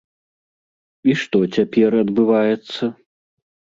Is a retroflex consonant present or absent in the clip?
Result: present